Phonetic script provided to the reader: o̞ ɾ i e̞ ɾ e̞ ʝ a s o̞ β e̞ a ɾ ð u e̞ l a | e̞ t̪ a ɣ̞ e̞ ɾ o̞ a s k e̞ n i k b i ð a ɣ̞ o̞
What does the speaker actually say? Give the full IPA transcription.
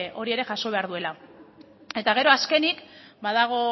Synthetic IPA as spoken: o̞ ɾ i e̞ ɾ e̞ ʝ a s o̞ β e̞ a ɾ ð u e̞ l a | e̞ t̪ a ɣ̞ e̞ ɾ o̞ a s k e̞ n i k b a ð a ɣ̞ o̞